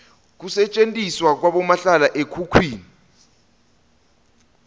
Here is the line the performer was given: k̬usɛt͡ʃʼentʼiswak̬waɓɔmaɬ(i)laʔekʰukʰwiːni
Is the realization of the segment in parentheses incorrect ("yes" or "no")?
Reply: yes